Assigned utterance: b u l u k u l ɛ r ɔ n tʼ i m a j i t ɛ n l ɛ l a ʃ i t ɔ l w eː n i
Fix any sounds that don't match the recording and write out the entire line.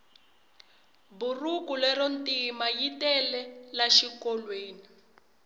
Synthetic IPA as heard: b u r u k u l ɛ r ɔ n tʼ i m a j i t ɛ l ɛ l a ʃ i k ɔ l w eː n i